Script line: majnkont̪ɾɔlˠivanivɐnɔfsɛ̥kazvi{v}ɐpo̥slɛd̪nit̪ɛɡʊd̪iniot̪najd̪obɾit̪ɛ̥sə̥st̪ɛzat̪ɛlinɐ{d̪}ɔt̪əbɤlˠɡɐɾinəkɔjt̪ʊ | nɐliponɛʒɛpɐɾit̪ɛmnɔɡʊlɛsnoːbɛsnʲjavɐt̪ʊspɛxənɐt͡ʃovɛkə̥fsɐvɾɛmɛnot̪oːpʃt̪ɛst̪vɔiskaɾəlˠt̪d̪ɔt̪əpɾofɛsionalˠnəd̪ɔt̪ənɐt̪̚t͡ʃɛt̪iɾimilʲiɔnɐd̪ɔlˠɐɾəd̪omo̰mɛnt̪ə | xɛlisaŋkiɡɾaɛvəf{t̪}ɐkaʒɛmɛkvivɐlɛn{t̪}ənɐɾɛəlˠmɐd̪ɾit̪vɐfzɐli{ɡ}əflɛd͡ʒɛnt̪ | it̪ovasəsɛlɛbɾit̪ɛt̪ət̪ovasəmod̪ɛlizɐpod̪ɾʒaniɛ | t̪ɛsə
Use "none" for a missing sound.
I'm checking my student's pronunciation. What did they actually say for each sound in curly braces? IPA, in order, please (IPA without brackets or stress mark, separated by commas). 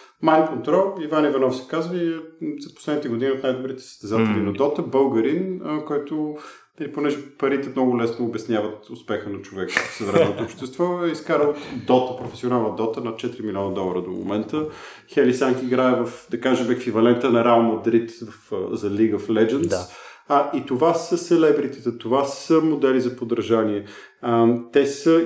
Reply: z, d̪, d̪, t̪, ɡ